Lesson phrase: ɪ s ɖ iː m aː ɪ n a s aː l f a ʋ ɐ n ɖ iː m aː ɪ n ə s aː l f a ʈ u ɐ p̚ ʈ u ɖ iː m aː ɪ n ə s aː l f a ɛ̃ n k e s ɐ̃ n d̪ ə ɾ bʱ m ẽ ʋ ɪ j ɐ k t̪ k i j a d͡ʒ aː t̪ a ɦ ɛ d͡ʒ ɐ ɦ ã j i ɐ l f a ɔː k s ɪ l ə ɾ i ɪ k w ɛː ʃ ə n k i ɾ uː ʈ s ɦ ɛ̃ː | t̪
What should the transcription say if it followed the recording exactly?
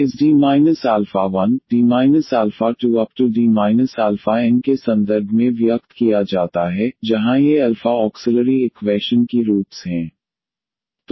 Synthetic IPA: ɪ s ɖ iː m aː ɪ n ə s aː l f a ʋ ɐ n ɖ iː m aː ɪ n ə s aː l f a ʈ u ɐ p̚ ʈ u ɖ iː m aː ɪ n ə s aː l f a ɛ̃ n k e s ɐ̃ n d̪ ə ɾ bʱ m ẽ ʋ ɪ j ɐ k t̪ k i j a d͡ʒ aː t̪ a ɦ ɛ d͡ʒ ɐ ɦ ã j e ɐ l f a ɔː k s ɪ l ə ɾ i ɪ k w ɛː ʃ ə n k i ɾ uː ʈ s ɦ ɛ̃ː | t̪